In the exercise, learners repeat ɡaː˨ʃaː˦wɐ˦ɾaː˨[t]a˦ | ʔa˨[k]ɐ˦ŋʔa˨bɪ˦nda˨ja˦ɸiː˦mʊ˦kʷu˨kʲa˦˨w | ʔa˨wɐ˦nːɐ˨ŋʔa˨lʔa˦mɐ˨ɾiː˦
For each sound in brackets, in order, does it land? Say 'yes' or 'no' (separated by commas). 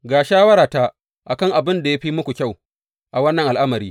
yes, yes